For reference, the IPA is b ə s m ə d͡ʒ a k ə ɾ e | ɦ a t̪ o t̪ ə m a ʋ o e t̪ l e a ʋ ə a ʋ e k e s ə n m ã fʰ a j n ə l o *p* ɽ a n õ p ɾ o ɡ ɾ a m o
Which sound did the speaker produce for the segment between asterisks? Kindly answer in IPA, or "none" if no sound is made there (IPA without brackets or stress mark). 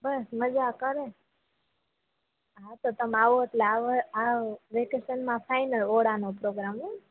none